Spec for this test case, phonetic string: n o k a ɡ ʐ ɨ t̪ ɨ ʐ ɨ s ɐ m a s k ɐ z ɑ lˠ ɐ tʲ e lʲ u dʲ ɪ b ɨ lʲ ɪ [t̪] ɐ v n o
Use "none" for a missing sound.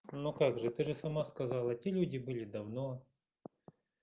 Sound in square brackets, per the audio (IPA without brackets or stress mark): d̪